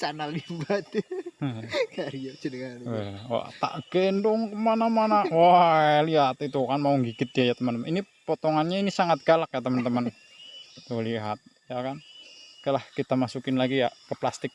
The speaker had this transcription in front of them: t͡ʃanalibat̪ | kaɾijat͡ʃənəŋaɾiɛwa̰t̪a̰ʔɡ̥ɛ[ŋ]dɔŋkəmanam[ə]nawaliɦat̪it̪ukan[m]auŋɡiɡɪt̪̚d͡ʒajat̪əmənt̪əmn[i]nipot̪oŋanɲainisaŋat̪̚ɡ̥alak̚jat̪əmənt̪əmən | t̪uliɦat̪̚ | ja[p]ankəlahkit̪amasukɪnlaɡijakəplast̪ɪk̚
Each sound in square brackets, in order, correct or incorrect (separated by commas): incorrect, incorrect, correct, correct, incorrect